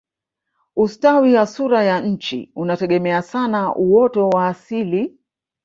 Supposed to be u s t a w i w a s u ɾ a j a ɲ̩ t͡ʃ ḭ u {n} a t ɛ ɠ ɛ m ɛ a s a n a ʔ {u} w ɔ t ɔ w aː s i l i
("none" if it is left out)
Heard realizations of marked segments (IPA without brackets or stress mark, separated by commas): n, u